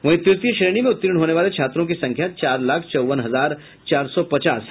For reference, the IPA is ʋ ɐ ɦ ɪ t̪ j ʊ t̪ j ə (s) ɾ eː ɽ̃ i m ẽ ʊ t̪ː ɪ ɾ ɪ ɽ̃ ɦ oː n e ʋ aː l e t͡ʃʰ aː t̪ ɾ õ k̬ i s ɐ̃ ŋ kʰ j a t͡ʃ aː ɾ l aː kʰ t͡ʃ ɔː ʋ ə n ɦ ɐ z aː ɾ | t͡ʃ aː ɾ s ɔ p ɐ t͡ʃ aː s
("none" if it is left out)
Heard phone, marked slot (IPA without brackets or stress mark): ʃ